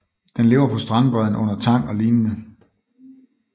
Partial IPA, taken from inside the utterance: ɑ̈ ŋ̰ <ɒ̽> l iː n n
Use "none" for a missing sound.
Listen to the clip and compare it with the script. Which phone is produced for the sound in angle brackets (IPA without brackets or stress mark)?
ɒ̽